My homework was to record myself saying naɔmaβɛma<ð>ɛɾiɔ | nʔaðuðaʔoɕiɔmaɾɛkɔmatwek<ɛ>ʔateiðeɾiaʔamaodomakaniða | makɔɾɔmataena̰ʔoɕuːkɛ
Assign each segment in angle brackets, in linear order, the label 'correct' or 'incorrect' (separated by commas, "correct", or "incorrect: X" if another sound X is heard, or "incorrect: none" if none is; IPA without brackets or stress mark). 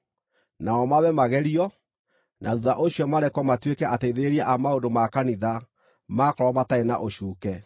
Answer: incorrect: ɣ, correct